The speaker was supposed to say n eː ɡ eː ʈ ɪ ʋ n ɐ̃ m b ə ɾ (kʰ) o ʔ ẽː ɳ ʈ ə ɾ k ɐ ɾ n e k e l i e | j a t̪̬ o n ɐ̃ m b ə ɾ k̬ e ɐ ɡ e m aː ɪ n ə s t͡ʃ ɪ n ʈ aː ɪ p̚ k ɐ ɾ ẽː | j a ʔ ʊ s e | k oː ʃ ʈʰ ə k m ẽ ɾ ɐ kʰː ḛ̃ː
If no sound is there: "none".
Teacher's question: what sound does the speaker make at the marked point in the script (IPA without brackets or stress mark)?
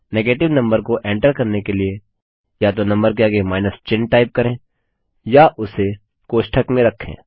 k